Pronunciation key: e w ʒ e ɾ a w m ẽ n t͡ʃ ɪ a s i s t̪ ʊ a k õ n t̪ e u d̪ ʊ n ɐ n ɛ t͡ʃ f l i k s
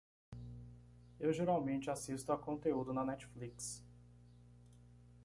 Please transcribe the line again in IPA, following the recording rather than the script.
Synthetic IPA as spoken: e w ʒ e ɾ a w m ẽ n t͡ʃ ɪ a s i s t̪ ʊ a k õ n t̪ e u d̪ ʊ n ɐ n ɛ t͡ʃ f l i k s